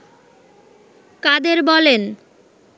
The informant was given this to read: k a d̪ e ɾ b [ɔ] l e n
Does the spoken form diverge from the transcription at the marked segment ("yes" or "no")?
no